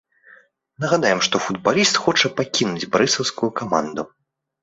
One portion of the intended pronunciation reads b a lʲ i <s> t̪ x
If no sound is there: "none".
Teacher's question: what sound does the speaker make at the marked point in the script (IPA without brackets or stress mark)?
s